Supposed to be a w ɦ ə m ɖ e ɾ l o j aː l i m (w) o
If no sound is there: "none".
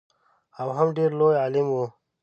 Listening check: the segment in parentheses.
w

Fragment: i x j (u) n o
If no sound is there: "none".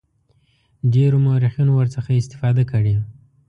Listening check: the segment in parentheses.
u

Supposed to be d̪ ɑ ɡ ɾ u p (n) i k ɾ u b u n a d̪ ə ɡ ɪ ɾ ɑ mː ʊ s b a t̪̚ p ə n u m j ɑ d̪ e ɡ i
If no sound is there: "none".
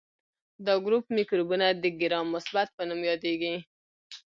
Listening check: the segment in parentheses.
m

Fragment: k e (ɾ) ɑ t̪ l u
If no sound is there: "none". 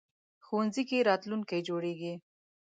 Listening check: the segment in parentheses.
ɾ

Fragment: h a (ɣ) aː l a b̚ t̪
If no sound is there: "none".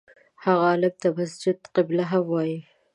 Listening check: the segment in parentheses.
ɣ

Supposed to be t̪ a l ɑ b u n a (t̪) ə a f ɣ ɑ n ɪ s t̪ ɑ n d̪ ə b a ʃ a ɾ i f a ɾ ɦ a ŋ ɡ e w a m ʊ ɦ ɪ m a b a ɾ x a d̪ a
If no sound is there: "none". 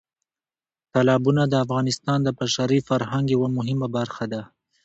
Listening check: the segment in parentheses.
d̪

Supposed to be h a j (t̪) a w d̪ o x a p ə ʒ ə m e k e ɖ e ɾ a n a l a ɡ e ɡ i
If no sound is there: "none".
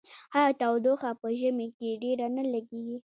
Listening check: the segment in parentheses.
t̪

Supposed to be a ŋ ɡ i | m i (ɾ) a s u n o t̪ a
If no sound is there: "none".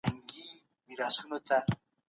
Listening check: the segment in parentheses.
ɾ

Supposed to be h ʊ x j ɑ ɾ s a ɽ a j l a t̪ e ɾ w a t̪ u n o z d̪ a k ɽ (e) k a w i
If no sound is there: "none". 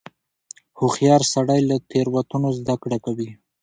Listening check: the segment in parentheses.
a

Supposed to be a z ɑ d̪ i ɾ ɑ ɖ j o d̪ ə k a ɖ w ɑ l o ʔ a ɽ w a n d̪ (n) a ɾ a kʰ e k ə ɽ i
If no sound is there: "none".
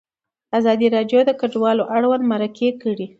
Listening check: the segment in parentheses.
m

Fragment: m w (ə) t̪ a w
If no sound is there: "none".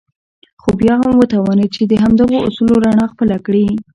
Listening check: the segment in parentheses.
ə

